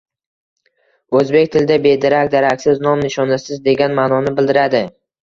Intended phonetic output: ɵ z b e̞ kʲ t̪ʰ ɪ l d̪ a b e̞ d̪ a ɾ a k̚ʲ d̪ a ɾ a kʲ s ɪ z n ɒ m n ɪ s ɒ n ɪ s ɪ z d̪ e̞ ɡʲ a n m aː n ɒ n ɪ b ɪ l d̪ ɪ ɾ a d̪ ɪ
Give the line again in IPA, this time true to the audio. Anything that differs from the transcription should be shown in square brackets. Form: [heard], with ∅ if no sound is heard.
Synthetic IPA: ɵ z b e̞ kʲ t̪ʰ ɪ l d̪ a b e̞ d̪ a ɾ a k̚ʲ d̪ a ɾ a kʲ s ɪ z n ɒ m n ɪ [ʃ] ɒ n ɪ s ɪ z d̪ e̞ ɡʲ a n m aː n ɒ n ɪ b ɪ l d̪ ɪ ɾ a d̪ ɪ